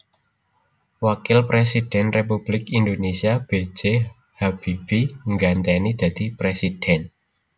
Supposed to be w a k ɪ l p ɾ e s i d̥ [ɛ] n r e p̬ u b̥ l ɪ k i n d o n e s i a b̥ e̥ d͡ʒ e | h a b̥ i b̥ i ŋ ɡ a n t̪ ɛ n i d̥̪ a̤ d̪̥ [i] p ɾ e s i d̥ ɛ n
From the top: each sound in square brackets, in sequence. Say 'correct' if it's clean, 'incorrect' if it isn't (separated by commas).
correct, correct